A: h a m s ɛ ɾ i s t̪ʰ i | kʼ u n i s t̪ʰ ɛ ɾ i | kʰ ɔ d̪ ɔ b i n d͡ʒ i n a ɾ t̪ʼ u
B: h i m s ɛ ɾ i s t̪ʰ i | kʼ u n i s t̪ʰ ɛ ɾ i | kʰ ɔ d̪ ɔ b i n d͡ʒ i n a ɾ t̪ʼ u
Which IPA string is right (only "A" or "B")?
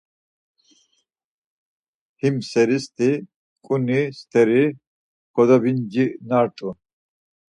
B